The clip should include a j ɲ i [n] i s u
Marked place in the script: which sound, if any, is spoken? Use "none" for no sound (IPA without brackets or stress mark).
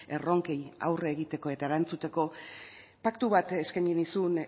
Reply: n